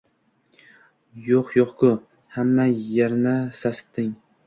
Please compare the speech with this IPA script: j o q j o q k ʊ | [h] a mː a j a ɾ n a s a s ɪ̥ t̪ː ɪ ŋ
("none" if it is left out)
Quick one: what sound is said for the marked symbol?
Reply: h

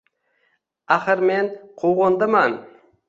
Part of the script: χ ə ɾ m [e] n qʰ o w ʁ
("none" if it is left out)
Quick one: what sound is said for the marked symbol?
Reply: e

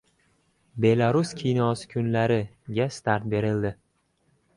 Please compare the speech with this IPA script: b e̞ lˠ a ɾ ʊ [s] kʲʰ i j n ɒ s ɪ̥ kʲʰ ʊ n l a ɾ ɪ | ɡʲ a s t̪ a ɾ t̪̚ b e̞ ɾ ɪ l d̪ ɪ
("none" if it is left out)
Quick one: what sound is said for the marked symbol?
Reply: s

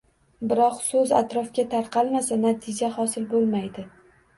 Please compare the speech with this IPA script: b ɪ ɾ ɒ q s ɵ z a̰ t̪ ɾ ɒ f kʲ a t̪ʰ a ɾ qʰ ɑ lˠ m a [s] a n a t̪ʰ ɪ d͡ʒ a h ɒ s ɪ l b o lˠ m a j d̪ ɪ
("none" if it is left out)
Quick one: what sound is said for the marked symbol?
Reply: s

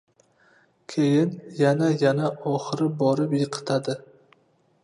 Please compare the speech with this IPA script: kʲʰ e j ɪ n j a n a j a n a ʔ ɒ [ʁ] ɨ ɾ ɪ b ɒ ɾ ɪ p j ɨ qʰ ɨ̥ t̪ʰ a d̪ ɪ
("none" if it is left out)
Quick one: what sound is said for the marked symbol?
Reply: χ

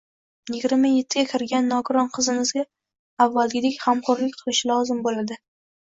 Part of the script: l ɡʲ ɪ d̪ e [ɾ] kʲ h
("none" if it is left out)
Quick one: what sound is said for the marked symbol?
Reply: none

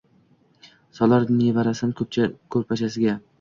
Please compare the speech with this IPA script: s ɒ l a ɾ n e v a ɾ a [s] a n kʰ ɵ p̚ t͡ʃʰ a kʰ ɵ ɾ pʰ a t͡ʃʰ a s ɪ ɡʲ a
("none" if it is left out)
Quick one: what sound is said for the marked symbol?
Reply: s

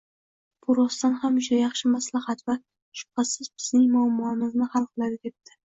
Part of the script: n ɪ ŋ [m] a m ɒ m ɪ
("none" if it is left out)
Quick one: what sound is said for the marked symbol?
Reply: m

